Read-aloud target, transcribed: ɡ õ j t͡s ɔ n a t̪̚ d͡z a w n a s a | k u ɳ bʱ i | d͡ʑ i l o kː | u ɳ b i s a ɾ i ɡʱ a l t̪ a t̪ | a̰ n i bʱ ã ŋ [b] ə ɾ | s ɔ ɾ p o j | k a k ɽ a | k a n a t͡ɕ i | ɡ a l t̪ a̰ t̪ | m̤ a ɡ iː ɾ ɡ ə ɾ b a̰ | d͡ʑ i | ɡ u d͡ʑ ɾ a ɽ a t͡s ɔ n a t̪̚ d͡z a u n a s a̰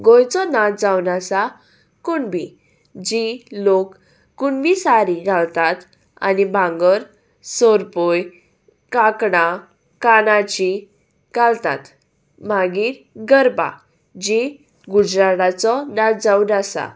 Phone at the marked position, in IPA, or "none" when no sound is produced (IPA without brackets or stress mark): ɡ